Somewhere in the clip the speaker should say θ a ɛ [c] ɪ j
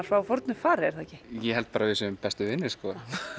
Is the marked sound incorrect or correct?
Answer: correct